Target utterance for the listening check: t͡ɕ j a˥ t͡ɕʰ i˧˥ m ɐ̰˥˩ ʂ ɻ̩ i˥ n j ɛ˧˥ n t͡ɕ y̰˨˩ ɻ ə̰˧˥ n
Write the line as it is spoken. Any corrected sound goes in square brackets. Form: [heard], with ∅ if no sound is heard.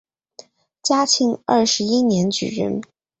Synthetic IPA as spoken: t͡ɕ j a˥ t͡ɕʰ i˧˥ [ŋ] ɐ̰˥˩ ʂ ɻ̩ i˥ n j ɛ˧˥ n t͡ɕ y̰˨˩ ɻ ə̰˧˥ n